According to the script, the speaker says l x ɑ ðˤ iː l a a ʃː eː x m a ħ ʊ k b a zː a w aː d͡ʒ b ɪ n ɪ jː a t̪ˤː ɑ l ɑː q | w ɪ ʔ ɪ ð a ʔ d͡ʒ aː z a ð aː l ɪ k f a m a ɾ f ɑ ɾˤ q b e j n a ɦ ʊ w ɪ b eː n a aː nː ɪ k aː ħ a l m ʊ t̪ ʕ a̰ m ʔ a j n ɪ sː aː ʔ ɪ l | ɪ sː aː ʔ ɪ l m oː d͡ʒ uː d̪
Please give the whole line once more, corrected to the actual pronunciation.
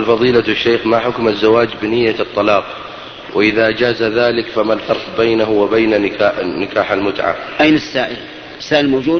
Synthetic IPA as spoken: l f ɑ ðˤ iː l a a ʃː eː x m a ħ ʊ k m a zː a w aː d͡ʒ b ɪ n ɪ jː a t̪ˤː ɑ l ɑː q | w ɪ ʔ ɪ ð a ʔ d͡ʒ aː z a ð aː l ɪ k f a m a l f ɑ ɾˤ q b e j n a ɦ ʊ w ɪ b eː n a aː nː ɪ k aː ħ a l m ʊ t̪ ʕ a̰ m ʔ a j n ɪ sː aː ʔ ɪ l | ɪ sː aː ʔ ɪ l m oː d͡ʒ uː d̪